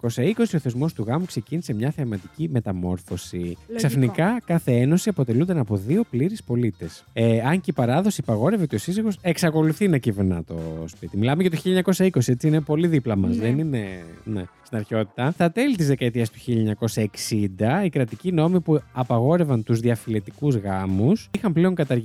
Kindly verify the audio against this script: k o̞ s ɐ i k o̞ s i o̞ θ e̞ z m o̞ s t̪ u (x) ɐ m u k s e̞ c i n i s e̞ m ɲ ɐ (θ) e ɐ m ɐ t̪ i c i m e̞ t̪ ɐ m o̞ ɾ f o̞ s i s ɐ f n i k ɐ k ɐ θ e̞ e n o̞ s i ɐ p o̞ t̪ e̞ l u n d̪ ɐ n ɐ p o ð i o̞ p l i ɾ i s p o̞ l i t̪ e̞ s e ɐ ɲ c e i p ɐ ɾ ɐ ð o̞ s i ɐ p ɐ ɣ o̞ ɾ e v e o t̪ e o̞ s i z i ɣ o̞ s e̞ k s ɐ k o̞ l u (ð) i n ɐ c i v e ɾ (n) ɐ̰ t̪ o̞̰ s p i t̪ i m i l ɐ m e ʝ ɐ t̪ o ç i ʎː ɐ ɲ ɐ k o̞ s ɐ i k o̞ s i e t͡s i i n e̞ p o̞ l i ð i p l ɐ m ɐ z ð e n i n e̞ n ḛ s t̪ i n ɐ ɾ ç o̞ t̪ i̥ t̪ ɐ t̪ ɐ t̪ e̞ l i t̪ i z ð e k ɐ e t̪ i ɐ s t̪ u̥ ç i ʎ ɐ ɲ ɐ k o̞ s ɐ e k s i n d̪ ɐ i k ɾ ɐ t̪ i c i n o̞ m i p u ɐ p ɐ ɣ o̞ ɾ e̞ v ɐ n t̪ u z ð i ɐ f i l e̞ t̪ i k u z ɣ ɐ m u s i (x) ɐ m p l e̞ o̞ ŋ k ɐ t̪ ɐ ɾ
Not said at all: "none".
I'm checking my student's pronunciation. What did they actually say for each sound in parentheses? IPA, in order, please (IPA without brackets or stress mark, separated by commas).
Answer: ɣ, θ, θ, n, x